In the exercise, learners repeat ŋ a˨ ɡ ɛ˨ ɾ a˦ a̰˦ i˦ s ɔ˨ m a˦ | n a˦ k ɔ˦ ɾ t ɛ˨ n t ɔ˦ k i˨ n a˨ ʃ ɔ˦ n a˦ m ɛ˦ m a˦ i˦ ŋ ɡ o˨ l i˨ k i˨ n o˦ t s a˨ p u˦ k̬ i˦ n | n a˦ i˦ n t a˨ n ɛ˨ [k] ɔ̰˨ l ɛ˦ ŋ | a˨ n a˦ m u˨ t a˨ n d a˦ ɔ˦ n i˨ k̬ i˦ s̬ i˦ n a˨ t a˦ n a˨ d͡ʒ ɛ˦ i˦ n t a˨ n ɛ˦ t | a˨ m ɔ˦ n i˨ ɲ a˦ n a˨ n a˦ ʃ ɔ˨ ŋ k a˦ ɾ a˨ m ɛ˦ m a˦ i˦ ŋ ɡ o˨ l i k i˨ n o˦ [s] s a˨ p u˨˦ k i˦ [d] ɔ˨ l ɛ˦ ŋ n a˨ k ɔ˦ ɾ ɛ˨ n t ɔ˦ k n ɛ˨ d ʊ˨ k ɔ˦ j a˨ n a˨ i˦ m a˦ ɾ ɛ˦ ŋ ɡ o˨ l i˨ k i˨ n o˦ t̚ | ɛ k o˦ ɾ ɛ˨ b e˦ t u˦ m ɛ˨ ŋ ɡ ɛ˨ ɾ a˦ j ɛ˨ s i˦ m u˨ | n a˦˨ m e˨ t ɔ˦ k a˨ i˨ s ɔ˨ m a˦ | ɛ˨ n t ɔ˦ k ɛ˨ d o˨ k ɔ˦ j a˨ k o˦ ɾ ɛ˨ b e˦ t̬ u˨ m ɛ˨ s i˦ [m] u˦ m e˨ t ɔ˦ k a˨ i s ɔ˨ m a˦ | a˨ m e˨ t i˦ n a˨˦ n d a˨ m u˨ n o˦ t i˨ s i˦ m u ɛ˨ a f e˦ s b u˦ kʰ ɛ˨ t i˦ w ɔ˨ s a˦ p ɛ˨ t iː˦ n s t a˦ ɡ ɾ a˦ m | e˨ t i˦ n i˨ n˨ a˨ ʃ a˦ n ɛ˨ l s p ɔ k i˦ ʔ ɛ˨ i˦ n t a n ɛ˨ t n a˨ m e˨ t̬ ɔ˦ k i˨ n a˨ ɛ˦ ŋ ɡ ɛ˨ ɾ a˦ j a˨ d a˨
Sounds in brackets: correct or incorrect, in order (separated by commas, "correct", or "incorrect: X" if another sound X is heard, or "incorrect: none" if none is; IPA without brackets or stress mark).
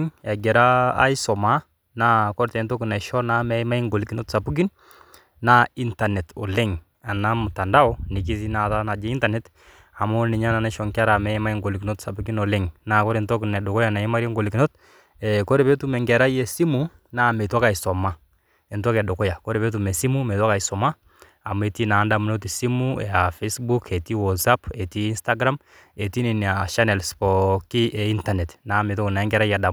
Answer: incorrect: t, incorrect: t, incorrect: n, correct